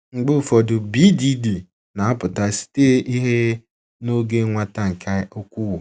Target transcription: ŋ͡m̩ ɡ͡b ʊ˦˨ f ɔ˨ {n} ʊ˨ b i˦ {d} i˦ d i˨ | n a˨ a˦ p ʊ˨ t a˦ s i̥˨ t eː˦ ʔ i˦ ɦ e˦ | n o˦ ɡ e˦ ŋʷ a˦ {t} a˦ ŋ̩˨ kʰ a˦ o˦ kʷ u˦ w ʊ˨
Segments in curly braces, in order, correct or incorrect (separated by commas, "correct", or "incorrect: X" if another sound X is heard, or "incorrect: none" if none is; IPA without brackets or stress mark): incorrect: d, correct, correct